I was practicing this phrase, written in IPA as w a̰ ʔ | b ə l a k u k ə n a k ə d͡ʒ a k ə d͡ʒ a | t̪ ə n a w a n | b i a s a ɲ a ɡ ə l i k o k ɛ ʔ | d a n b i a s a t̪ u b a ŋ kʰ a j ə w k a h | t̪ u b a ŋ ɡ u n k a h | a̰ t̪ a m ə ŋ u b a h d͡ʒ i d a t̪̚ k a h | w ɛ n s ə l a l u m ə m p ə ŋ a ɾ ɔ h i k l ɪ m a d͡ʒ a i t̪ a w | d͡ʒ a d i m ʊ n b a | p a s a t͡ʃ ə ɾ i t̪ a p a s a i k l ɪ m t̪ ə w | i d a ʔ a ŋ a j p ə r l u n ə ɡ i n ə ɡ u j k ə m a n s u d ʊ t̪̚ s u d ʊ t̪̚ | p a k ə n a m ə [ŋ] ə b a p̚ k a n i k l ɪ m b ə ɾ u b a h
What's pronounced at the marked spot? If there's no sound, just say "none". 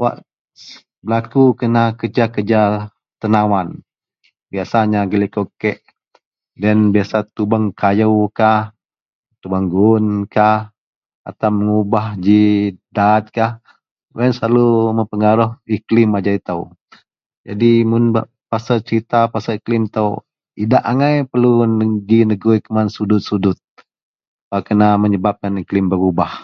ɲ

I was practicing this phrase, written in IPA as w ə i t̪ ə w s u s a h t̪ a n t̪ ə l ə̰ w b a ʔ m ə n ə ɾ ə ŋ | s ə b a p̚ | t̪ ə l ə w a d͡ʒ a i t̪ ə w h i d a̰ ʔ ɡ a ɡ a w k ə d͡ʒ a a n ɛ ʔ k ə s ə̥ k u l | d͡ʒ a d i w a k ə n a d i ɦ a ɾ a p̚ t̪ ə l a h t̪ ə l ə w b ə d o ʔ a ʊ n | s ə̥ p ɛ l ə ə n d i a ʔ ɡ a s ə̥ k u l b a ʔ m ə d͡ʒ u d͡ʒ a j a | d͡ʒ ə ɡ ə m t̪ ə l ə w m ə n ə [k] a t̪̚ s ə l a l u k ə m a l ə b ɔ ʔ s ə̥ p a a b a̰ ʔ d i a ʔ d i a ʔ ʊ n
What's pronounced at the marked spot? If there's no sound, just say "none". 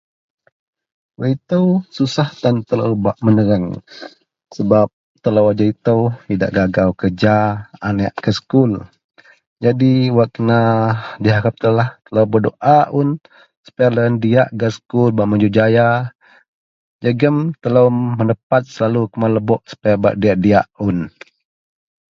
p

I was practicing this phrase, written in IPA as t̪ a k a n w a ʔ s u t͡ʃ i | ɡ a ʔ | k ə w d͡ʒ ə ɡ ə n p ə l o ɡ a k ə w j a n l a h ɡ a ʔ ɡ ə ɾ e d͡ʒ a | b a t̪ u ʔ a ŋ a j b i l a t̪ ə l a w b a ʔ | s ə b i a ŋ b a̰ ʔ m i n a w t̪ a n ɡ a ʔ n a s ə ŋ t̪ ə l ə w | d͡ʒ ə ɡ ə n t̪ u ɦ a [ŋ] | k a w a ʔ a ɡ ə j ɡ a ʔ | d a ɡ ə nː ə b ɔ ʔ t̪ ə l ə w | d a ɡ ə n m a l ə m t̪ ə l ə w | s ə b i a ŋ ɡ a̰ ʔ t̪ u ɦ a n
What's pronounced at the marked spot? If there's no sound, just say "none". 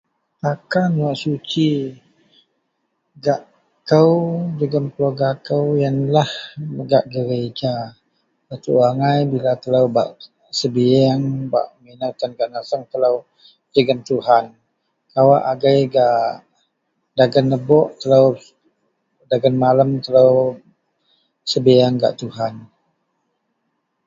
n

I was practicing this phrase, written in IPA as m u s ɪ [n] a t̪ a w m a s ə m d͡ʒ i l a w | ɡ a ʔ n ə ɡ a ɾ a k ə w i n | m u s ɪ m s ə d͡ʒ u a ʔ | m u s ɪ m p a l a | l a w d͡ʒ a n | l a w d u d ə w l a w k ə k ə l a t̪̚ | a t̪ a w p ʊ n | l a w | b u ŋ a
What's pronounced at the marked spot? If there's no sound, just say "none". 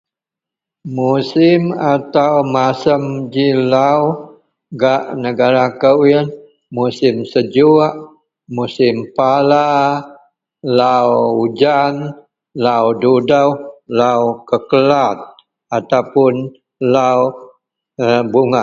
m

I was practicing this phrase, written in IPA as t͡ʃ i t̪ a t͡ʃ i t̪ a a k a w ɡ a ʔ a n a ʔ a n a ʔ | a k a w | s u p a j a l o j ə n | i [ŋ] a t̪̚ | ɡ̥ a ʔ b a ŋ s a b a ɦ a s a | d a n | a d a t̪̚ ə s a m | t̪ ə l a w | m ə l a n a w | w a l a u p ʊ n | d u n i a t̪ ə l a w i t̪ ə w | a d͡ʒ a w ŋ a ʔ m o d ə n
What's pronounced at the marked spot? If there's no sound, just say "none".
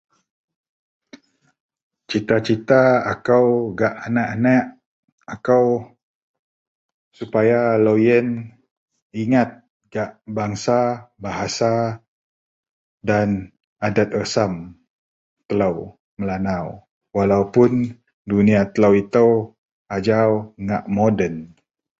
ŋ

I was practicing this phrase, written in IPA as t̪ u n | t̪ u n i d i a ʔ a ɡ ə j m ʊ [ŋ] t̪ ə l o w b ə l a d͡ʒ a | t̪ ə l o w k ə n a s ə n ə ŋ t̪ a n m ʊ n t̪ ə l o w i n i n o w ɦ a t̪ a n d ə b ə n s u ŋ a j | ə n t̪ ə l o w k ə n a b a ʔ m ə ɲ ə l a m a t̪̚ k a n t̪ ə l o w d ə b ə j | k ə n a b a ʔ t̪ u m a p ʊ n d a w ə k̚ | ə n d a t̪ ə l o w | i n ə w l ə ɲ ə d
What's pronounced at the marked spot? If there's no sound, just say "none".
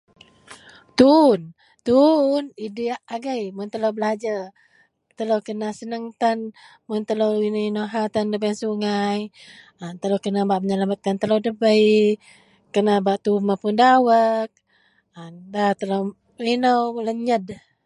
n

